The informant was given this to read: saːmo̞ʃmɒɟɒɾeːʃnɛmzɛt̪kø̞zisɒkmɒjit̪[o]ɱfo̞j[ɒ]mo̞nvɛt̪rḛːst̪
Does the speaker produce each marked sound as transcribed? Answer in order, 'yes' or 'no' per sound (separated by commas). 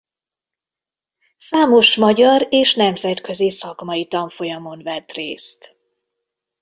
no, yes